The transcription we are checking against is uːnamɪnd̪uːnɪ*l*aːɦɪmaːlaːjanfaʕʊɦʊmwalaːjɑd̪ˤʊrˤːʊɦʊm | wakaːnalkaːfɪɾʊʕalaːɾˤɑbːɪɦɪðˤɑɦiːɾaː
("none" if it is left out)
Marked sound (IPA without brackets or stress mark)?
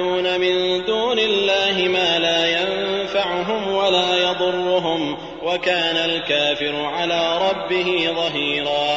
lː